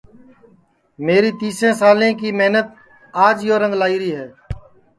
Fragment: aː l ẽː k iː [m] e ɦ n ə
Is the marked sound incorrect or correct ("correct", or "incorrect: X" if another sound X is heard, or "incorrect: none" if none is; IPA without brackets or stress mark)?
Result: correct